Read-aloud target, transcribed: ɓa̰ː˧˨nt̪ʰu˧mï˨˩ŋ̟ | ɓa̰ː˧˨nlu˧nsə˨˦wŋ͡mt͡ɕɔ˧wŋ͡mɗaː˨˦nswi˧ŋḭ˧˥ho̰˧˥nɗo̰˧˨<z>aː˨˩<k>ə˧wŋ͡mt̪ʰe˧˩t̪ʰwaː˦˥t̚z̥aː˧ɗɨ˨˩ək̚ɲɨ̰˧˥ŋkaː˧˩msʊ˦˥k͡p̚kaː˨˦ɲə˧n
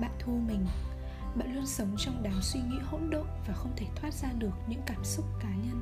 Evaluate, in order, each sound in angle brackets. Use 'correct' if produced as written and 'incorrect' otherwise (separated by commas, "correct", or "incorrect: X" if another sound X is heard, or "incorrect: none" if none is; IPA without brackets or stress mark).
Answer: incorrect: v, incorrect: x